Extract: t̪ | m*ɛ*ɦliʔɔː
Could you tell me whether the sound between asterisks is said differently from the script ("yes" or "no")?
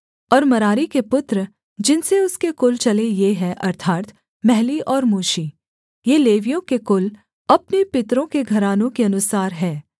no